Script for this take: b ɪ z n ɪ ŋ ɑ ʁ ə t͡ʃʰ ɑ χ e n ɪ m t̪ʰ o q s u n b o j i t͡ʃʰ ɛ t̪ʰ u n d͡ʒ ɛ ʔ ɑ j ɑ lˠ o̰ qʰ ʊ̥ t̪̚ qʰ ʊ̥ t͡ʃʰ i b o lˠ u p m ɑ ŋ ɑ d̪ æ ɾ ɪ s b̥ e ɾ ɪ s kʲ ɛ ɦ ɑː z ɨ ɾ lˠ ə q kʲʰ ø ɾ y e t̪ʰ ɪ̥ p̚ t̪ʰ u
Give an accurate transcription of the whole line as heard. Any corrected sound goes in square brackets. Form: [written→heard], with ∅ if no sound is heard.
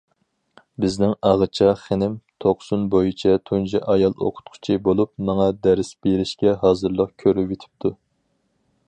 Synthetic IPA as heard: b ɪ z n ɪ ŋ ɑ ʁ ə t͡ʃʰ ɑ χ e n ɪ m t̪ʰ o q s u n b o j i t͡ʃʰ ɛ t̪ʰ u n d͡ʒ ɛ ʔ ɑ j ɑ lˠ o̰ qʰ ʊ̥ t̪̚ qʰ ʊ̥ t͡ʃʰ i b o lˠ u p m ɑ ŋ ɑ d̪ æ ɾ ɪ s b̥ e ɾ ɪ [s→ʃ] kʲ ɛ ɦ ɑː z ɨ ɾ lˠ ə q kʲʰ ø ɾ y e t̪ʰ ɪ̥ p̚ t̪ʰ u